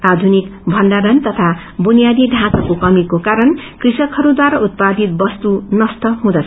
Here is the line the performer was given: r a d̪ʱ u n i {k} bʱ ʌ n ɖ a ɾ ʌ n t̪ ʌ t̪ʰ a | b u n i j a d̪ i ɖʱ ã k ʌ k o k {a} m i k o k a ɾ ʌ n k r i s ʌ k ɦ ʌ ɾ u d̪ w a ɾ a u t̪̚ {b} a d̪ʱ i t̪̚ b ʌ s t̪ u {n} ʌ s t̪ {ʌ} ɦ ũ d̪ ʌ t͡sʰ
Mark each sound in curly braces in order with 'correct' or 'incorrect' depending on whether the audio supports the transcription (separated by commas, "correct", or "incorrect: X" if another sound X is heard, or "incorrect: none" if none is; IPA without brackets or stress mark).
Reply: correct, incorrect: ʌ, incorrect: p, correct, correct